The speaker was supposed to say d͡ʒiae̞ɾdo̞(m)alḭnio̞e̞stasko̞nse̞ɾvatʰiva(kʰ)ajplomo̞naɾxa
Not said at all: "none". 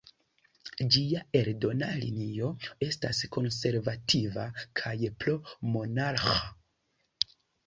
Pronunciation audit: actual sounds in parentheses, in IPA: n, kʰ

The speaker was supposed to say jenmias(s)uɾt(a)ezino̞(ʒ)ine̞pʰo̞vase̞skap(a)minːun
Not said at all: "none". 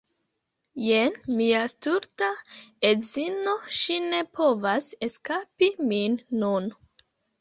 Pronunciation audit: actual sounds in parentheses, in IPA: t, a, ʃ, i

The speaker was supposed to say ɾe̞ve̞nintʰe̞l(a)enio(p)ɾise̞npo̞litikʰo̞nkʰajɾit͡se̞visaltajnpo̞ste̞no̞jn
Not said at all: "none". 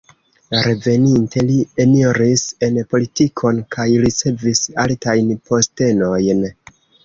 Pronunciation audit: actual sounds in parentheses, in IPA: i, none

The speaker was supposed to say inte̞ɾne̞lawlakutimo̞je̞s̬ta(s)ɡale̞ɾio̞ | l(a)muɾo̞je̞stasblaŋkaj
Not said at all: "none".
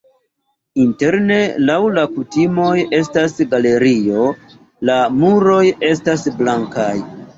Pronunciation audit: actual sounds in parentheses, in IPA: s, a

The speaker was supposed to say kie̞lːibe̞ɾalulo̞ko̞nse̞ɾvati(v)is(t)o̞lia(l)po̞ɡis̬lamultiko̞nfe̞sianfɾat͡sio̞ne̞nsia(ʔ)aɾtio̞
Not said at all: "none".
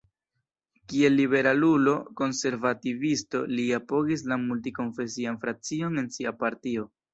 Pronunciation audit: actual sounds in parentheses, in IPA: v, t, none, p

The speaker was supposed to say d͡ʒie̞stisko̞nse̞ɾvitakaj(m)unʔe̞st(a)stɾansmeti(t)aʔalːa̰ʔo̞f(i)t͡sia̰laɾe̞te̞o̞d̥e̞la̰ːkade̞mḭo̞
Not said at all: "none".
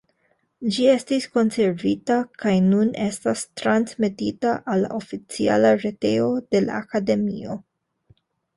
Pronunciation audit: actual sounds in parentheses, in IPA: n, a, t, i

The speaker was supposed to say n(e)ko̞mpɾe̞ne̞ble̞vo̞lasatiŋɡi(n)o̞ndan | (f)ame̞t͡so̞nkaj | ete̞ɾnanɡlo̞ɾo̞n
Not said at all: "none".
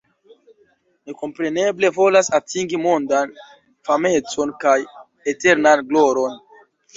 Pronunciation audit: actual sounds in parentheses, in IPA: e, m, f

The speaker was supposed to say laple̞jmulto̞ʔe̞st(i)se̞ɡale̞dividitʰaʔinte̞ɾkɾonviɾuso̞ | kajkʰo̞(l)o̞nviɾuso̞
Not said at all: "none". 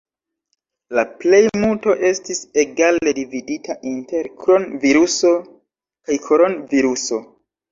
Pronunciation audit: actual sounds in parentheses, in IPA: i, ɾ

